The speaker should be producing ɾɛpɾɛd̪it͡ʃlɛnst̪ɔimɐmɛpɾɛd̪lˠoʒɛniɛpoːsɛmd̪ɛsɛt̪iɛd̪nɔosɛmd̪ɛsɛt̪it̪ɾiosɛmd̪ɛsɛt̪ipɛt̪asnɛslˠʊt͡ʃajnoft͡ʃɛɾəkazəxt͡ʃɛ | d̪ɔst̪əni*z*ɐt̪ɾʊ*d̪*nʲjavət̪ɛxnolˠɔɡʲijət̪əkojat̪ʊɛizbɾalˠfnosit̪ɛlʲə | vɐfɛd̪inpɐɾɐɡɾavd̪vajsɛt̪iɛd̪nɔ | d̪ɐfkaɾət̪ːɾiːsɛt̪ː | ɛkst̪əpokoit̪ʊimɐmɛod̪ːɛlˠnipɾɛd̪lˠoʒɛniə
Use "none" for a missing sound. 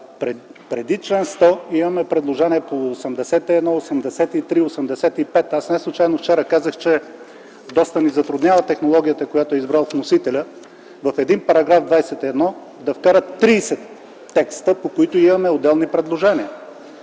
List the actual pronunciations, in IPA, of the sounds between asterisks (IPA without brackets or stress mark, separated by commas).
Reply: z, d̪